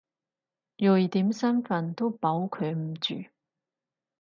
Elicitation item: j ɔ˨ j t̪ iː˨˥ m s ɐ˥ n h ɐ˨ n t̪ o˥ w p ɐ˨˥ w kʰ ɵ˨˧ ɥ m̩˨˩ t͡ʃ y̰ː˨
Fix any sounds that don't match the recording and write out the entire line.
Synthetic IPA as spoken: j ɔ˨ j t̪ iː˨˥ m s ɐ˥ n f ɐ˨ n t̪ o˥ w p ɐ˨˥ w kʰ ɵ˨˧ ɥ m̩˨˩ t͡ʃ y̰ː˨